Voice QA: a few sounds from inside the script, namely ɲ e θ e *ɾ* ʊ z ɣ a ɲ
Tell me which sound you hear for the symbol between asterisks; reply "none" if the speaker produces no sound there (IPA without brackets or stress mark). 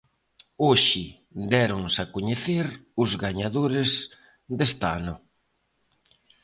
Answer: ɾ